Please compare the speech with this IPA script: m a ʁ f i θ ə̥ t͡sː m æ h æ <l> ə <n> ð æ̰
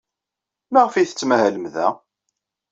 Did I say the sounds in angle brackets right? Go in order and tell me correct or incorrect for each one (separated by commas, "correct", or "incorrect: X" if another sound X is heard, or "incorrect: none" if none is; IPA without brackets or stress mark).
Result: correct, incorrect: m